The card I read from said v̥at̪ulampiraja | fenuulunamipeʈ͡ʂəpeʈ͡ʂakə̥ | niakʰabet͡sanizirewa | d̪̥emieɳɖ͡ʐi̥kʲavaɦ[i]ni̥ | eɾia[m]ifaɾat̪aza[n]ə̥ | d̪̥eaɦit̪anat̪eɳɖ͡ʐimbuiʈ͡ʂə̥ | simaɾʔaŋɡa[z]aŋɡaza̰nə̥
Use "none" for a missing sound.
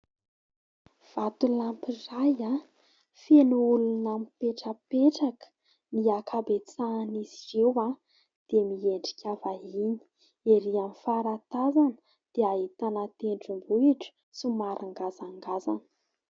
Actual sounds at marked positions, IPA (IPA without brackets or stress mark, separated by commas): i, m, n, z